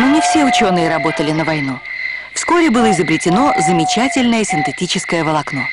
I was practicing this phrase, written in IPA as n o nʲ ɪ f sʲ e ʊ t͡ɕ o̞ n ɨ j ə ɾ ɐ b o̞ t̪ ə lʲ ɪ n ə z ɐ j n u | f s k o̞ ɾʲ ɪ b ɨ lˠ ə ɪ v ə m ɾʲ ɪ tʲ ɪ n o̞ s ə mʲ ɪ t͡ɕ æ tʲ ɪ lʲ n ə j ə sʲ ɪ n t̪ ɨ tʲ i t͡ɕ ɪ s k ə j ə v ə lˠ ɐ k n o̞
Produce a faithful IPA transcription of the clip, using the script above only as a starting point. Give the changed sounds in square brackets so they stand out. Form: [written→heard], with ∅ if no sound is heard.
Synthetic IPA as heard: n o nʲ ɪ f sʲ e ʊ t͡ɕ o̞ n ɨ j ə ɾ ɐ b o̞ t̪ ə lʲ ɪ n ə [z→v] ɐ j n u | f s k o̞ ɾʲ ɪ b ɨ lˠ ə ɪ [v→z] ə [m→b] ɾʲ ɪ tʲ ɪ n o̞ [s→z] ə mʲ ɪ t͡ɕ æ tʲ ɪ lʲ n ə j ə sʲ ɪ n t̪ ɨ tʲ i t͡ɕ ɪ s k ə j ə v ə lˠ ɐ k n o̞